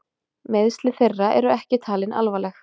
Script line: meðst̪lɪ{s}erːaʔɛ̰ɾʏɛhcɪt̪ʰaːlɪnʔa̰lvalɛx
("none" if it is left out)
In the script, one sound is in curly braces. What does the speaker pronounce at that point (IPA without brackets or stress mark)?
θ